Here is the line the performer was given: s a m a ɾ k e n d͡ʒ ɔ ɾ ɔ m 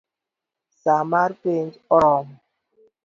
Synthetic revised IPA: s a m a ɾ p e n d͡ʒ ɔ ɾ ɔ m